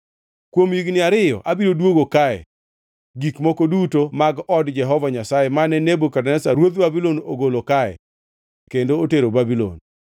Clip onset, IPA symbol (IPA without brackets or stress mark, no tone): k